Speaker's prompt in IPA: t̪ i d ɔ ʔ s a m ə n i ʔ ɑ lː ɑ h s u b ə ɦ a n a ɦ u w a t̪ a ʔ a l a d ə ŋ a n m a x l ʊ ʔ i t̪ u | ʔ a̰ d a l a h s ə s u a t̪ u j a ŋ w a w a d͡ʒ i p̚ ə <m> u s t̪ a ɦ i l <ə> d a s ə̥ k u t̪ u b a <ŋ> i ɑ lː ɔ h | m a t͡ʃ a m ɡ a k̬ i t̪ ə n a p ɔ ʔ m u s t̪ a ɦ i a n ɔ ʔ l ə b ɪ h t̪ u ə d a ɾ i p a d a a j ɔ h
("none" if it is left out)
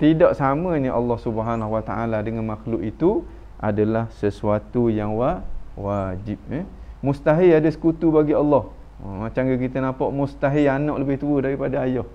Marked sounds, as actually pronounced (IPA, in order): m, a, ɡ

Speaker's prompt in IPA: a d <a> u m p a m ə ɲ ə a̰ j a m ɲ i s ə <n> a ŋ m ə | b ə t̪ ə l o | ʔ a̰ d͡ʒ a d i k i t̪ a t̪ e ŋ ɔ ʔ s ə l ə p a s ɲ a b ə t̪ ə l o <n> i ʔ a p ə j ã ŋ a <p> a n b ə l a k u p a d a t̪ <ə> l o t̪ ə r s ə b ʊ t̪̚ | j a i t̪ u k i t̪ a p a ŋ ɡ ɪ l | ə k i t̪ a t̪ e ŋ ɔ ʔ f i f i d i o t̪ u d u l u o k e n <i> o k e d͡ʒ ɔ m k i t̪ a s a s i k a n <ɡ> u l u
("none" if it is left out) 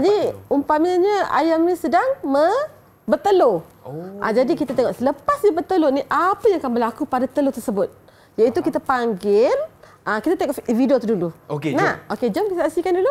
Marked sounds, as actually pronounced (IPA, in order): i, d, n, k, ə, a, d

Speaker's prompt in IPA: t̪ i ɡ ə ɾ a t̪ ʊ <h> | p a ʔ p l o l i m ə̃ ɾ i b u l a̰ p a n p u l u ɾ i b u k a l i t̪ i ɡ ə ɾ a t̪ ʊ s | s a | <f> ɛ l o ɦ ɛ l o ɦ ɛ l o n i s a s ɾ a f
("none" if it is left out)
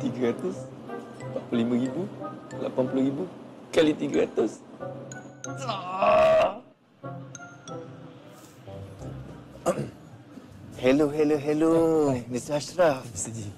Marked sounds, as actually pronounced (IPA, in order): s, h

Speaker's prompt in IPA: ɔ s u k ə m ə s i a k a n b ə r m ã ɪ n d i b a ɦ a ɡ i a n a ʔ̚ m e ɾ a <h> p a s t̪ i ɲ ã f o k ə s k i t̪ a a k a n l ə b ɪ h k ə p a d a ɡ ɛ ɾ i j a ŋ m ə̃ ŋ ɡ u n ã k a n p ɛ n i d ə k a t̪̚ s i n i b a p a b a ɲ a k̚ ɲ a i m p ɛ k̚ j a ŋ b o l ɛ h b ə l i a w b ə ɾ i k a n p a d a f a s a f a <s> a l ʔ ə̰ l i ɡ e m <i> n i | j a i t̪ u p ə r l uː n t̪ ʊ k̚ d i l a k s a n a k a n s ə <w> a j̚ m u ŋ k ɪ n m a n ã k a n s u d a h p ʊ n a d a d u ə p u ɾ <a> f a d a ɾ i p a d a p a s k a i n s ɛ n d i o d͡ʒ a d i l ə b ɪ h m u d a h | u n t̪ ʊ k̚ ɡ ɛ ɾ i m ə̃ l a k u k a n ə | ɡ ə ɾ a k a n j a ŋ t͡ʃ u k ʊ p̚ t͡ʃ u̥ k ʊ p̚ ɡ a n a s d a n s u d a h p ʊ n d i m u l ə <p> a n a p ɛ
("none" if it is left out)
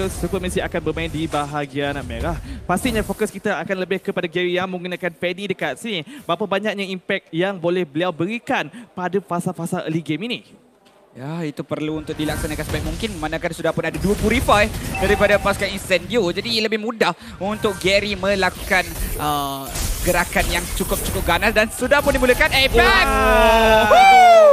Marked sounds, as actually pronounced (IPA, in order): h, s, i, b, i, k

